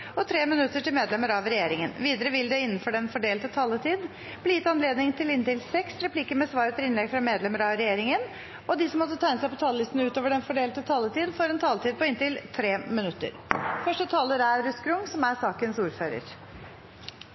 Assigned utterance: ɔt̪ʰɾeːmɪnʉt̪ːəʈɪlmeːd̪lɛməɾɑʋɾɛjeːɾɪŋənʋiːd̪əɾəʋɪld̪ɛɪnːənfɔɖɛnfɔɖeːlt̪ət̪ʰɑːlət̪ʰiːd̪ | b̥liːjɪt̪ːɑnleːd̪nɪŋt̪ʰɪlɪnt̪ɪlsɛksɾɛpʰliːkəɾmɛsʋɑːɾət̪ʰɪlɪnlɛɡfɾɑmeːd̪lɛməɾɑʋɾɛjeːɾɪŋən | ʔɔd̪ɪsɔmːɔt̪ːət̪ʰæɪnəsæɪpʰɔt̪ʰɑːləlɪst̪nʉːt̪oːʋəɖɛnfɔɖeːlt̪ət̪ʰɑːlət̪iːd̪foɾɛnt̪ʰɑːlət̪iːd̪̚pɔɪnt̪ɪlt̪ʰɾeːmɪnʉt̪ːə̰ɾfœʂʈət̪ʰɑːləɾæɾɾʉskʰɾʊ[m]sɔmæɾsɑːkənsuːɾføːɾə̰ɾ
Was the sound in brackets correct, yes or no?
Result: no